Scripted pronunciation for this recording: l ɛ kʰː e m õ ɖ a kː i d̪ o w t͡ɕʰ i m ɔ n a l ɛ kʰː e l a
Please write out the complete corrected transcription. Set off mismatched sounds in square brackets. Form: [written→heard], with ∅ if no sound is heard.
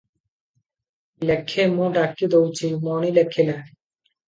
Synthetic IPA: l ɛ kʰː e m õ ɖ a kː i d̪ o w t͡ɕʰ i m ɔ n [a→i] l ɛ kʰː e l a